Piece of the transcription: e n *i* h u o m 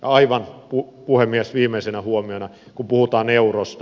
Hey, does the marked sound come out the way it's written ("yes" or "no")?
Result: no